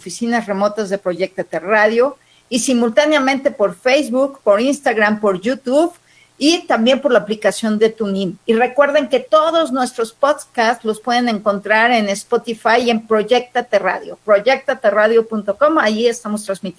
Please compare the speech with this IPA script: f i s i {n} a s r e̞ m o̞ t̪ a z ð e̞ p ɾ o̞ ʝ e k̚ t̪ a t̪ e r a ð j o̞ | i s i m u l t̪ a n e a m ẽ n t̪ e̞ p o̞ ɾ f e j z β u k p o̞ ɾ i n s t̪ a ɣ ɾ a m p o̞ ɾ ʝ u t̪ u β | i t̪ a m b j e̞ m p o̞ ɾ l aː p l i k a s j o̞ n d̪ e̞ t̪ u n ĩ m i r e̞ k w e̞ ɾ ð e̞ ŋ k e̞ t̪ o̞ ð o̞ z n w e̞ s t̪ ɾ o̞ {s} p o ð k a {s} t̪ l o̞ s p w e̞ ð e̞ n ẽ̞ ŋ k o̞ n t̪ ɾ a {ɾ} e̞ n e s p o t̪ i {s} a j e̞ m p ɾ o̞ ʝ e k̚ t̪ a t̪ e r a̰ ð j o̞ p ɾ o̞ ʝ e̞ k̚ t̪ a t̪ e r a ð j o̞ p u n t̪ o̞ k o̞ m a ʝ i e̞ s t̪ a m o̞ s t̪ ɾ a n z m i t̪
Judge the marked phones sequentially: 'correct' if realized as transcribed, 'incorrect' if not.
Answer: correct, correct, correct, correct, incorrect

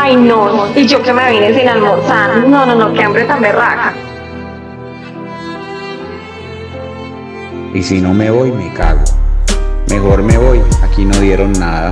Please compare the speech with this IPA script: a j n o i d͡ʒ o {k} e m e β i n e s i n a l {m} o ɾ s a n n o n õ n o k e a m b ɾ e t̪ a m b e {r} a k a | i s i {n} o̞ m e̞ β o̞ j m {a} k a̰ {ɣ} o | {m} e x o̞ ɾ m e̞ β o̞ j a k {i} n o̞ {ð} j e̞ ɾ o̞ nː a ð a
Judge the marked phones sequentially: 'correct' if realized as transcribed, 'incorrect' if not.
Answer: correct, correct, correct, correct, incorrect, correct, correct, correct, correct

